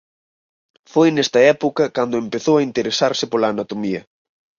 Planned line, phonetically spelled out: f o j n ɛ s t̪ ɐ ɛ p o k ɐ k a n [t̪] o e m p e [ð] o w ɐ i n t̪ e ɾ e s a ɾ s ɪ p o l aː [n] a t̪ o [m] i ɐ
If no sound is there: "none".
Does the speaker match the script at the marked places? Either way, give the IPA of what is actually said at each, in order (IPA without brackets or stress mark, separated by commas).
d̪, θ, n, m